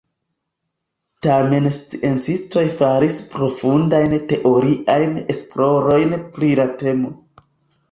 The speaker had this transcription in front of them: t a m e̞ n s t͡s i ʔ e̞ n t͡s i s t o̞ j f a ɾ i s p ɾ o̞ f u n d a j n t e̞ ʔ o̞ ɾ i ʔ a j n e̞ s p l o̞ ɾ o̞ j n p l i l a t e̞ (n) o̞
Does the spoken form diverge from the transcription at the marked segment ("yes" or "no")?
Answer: yes